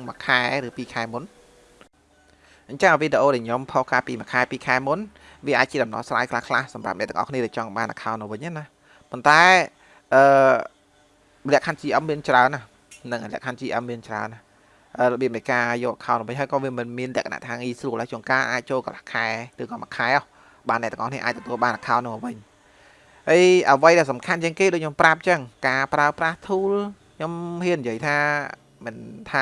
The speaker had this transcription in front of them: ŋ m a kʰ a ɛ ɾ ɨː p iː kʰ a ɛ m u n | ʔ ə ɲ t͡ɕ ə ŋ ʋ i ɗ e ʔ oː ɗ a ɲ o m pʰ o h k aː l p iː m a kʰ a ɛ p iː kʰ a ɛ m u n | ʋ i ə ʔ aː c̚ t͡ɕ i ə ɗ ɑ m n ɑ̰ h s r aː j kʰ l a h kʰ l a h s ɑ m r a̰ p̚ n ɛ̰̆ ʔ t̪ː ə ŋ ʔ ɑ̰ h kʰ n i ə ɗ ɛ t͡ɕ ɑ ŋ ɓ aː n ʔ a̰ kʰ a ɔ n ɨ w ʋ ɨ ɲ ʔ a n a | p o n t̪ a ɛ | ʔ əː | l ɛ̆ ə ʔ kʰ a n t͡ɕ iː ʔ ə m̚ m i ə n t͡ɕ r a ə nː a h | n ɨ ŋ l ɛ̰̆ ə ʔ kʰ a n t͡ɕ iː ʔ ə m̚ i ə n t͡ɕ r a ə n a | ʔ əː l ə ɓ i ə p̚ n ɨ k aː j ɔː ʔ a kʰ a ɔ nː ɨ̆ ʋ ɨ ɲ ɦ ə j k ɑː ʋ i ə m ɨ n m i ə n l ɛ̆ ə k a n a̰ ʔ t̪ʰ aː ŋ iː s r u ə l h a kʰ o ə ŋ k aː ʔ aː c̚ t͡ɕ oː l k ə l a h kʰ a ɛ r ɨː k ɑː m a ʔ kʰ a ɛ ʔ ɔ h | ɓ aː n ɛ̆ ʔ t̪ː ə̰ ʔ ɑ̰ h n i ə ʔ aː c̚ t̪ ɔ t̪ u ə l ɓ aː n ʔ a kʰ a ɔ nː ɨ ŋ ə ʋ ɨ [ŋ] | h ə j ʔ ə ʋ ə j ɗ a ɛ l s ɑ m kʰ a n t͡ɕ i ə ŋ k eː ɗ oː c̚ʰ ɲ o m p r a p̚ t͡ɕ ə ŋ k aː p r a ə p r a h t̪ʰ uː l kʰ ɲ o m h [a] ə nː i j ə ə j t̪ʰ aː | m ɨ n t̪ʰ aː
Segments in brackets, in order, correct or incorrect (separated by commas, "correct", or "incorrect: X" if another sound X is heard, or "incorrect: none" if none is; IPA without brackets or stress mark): incorrect: ɲ, incorrect: i